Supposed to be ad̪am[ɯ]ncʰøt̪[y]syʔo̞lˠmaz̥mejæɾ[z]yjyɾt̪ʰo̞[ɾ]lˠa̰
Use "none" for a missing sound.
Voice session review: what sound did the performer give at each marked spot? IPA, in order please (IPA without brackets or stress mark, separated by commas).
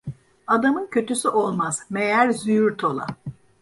ɯ, y, z, none